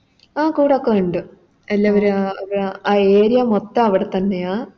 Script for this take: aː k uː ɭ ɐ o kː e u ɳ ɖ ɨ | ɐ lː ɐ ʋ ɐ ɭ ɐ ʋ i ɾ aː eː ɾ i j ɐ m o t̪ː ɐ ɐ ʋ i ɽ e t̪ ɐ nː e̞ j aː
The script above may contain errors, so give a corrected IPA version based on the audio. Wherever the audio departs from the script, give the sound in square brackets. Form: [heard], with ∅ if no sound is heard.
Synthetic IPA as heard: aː k uː [ɽ] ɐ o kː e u ɳ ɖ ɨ | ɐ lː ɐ ʋ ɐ [ɾ] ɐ ʋ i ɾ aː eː ɾ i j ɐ m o t̪ː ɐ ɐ ʋ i ɽ e t̪ ɐ nː e̞ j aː